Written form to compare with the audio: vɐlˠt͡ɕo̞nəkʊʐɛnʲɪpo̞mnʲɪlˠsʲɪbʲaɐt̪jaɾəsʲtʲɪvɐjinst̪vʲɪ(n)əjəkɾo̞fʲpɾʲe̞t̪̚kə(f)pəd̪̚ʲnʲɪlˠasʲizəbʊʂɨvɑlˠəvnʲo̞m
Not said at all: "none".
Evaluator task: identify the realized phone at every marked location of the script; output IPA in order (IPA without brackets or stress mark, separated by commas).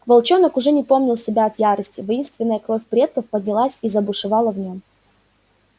nː, f